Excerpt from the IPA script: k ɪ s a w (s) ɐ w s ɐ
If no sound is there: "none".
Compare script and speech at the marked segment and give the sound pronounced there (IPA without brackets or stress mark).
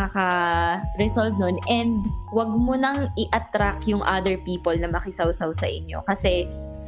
s